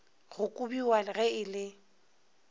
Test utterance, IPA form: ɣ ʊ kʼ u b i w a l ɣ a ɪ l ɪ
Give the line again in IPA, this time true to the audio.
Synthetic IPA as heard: ɣ ʊ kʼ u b i w a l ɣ ɛ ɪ l ɪ